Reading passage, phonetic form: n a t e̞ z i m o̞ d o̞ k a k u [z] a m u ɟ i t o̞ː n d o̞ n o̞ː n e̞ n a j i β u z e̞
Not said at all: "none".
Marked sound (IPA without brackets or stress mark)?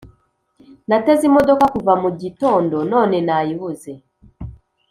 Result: v